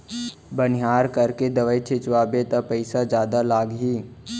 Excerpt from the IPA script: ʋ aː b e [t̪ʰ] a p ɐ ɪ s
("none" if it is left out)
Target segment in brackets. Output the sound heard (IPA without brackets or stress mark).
t̪